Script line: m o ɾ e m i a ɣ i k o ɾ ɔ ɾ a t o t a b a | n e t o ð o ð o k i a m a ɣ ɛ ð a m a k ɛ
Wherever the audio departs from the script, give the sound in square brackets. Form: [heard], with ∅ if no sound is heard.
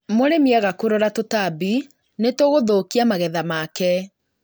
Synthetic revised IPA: m o ɾ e m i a ɣ [a] k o ɾ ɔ ɾ a t o t a b [i] | n e t o [ɣ] o ð o k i a m a ɣ ɛ ð a m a k ɛ